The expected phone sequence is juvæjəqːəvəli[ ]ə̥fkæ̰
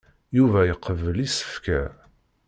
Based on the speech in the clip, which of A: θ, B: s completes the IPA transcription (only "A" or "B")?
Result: B